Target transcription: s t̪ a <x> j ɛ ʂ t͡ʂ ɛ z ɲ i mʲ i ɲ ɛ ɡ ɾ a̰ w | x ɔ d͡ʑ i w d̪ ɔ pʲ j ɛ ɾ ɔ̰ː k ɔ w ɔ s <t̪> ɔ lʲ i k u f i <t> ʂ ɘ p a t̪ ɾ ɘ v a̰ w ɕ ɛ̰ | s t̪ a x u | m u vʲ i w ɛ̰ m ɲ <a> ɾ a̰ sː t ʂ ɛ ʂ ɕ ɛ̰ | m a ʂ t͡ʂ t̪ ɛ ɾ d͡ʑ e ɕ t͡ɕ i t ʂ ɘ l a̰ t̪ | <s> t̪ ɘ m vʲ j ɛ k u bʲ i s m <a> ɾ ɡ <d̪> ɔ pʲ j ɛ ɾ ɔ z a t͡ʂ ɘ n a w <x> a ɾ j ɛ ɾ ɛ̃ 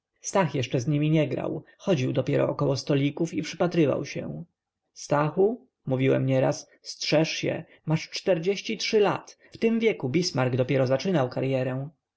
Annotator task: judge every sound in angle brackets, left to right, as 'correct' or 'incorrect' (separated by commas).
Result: correct, correct, incorrect, incorrect, incorrect, correct, correct, incorrect